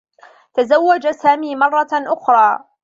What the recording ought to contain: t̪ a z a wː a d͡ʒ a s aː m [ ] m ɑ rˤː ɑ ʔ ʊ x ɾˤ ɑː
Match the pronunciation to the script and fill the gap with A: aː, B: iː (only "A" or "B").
B